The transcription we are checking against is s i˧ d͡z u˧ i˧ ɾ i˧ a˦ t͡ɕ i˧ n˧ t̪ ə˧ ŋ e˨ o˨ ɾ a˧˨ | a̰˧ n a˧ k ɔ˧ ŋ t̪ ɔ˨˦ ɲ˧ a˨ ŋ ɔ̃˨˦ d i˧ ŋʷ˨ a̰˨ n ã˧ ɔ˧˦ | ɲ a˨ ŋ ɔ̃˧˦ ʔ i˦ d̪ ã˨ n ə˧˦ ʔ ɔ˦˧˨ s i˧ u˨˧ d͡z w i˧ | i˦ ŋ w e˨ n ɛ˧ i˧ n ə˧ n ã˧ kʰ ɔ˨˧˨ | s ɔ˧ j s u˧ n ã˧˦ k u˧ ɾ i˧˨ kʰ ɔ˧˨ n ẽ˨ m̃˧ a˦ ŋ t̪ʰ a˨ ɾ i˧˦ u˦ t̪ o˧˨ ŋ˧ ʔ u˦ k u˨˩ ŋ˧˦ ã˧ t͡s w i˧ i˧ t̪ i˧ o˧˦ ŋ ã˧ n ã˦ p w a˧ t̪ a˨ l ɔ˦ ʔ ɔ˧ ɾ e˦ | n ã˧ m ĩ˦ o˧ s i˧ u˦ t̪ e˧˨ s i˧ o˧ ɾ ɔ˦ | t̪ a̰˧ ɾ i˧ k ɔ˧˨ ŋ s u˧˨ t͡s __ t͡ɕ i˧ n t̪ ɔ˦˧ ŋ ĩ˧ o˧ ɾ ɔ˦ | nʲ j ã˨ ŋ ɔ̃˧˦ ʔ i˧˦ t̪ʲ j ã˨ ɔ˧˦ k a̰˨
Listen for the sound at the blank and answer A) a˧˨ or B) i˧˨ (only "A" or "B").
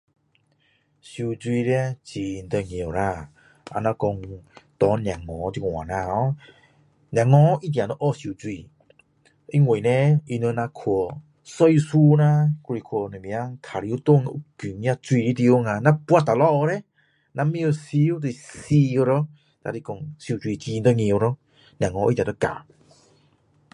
B